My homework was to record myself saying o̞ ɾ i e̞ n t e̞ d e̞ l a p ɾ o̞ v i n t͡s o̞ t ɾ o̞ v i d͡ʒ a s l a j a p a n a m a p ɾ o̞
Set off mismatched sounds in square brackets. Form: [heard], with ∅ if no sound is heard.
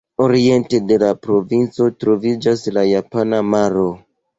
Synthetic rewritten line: o̞ ɾ i e̞ n t e̞ d e̞ l a p ɾ o̞ v i n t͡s o̞ t ɾ o̞ v i d͡ʒ a s l a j a p a n a m a [∅] ɾ o̞